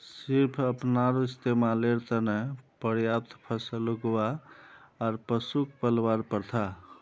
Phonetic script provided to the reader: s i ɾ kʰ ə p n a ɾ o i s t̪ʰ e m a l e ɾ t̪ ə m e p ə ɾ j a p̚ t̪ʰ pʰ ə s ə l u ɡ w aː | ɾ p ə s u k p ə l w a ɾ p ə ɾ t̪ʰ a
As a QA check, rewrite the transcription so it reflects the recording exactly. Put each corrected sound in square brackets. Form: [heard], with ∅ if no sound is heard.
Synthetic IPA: s i ɾ [pʰ] ə p n a ɾ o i s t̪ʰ e m a l e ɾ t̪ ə [n] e p ə ɾ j a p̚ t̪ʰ pʰ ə s ə l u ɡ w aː | ɾ p ə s u k p ə l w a ɾ p ə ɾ t̪ʰ a